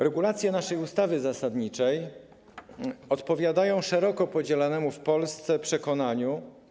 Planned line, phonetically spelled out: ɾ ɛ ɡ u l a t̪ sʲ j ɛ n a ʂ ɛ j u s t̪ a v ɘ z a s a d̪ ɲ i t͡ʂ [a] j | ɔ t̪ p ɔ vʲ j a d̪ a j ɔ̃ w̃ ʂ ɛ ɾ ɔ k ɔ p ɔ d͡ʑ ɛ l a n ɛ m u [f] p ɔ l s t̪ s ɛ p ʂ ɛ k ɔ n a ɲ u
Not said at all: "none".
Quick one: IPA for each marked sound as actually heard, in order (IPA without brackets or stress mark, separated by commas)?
ɛ, f